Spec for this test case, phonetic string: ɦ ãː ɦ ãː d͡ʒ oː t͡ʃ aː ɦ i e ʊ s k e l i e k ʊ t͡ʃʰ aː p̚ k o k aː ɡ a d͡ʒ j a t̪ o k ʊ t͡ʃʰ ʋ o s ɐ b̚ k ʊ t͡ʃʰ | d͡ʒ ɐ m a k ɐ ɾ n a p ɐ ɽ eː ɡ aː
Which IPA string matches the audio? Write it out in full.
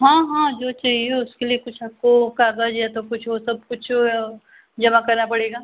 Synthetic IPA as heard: ɦ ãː ɦ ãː d͡ʒ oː t͡ʃ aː ɦ i e ʊ s k e l i e k ʊ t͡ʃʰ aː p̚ k o k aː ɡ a d͡ʒ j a t̪ o k ʊ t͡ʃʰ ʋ o s ɐ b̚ k ʊ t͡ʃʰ | d͡ʒ ɐ m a k ɐ ɾ n a p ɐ ɽ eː ɡ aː